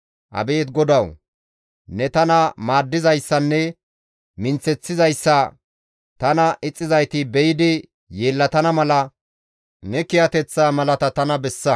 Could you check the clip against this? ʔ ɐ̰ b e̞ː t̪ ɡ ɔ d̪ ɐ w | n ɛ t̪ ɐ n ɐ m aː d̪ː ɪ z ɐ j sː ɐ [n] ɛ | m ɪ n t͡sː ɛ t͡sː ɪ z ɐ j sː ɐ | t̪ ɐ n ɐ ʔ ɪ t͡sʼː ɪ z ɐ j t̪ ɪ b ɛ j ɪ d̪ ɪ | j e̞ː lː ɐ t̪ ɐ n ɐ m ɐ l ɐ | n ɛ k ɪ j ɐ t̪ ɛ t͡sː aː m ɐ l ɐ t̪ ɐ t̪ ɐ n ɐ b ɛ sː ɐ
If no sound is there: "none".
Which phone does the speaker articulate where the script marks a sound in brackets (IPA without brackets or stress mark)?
nː